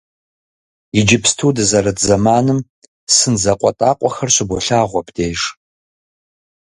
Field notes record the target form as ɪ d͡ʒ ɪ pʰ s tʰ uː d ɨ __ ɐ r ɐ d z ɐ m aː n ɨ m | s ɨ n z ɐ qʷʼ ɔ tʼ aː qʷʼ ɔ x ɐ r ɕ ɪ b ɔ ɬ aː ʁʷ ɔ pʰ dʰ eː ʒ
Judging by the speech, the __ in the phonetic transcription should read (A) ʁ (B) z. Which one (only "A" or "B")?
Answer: B